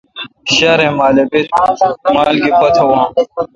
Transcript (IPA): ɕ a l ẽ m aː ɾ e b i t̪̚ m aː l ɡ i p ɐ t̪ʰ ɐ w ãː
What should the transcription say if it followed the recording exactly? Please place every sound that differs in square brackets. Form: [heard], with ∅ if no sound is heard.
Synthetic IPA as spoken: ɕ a [ɾ] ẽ m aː [l] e b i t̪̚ m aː l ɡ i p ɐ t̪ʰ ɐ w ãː